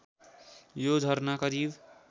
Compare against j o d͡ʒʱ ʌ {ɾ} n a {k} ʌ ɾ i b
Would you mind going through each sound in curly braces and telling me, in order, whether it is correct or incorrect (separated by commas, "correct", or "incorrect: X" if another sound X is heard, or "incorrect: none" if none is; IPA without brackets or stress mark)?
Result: correct, correct